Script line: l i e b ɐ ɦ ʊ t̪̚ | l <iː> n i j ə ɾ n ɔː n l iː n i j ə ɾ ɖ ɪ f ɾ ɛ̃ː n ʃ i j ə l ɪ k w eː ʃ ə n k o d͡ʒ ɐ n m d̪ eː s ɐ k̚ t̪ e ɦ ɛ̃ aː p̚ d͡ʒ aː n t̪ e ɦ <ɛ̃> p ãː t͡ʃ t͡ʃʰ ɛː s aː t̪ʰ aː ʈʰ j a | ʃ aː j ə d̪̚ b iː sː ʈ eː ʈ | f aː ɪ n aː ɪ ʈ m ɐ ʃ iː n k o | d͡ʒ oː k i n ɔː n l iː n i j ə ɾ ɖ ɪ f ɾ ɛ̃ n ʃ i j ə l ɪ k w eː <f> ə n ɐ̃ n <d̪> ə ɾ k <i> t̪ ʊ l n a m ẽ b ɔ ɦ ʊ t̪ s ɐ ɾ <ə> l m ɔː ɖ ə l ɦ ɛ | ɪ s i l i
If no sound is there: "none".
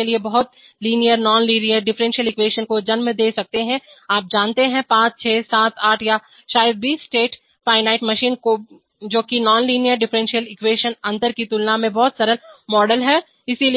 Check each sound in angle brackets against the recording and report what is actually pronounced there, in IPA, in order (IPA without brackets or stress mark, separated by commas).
iː, ɛ̃, ʃ, t̪, i, ə